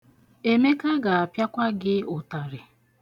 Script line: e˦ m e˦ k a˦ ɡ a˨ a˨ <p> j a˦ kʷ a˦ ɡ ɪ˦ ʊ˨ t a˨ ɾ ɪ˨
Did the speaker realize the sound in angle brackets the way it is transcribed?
yes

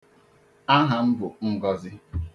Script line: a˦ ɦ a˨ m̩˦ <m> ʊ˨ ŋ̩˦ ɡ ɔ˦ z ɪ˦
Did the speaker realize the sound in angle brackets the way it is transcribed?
no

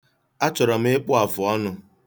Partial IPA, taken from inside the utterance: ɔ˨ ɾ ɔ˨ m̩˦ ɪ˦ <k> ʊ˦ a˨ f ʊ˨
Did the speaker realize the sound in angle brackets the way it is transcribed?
no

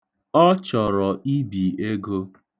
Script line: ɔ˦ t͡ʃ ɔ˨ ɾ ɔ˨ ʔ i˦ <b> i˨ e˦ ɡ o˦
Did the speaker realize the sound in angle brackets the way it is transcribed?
yes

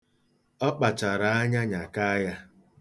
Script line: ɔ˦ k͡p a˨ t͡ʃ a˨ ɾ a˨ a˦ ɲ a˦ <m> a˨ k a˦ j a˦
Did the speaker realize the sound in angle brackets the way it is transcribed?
no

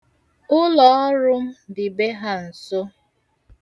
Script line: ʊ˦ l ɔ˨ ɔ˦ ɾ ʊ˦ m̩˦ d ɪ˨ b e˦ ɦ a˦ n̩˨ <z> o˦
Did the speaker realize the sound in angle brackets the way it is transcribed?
no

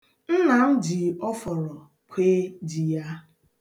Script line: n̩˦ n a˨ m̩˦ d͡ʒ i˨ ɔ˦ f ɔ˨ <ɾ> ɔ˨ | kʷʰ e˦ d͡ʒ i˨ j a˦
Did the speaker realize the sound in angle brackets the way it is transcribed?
yes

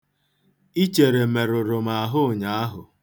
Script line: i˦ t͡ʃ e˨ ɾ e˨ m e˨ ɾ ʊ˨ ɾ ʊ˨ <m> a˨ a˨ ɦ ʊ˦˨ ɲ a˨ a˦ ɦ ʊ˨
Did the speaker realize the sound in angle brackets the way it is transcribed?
yes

